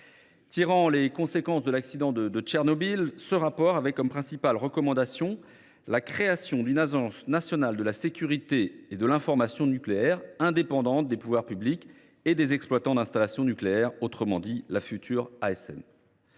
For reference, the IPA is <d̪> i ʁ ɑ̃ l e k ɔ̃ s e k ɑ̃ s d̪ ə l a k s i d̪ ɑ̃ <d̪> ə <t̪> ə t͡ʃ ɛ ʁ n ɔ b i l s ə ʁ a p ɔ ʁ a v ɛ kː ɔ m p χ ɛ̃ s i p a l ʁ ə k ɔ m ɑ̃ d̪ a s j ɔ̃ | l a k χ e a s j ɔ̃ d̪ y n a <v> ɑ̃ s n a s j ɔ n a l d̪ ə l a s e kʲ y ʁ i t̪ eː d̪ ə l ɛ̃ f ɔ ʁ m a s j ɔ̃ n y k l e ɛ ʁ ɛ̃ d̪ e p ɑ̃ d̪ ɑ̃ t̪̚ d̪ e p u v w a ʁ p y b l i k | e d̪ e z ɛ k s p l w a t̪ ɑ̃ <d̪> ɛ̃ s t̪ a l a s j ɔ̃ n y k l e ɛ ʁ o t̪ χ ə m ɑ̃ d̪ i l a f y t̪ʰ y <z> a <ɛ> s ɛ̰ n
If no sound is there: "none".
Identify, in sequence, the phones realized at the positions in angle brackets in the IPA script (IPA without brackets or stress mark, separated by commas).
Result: t̪, d̪, d̪, ʒ, d̪, ʁ, ɛ